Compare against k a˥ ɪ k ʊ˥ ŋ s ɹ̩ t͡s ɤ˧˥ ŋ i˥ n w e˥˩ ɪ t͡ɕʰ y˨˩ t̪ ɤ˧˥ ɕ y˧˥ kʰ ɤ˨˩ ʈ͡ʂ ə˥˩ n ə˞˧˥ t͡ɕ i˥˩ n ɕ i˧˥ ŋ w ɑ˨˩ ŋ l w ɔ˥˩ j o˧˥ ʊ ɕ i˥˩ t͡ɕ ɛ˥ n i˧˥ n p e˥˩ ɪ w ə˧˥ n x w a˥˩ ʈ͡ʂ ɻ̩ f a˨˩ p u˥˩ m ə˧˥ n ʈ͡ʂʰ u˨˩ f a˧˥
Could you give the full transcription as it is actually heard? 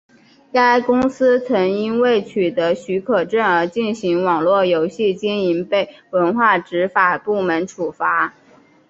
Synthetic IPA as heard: k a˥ ɪ k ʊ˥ ŋ s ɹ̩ t͡sʰ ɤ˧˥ ŋ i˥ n w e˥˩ ɪ t͡ɕʰ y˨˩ t̪ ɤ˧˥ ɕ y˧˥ kʰ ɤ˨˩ ʈ͡ʂ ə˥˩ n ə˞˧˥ t͡ɕ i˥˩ n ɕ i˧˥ ŋ w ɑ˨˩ ŋ l w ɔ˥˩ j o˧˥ ʊ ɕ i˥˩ t͡ɕ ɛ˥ n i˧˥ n p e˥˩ ɪ w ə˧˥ n x w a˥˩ ʈ͡ʂ ɻ̩ f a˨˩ p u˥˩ m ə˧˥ n ʈ͡ʂʰ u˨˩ f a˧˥